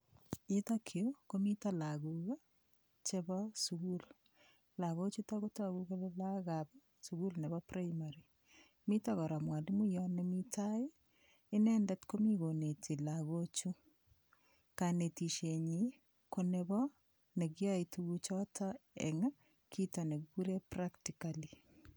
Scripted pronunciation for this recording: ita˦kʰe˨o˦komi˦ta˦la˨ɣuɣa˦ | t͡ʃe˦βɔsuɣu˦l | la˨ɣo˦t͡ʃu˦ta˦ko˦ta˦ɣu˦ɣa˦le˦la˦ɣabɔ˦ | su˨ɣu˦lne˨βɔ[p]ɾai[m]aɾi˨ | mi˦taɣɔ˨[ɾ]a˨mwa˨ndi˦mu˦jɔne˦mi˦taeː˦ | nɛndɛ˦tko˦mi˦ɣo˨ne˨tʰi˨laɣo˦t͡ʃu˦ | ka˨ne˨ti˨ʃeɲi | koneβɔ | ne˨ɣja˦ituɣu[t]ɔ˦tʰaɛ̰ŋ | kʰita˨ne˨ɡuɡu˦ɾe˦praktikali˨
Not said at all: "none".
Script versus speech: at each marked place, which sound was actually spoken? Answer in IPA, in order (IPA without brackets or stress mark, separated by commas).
p, m, ɾ, t͡ʃ